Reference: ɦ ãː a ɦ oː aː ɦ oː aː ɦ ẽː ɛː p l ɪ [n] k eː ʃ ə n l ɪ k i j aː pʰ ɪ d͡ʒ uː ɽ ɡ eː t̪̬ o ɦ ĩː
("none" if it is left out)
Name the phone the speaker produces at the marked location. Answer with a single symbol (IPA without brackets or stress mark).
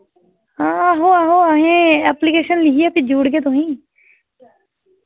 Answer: none